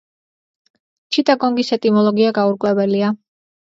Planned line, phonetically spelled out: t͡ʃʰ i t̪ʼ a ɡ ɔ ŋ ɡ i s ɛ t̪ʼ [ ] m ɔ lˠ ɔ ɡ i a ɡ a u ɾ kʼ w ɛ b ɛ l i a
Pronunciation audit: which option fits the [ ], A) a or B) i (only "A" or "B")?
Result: B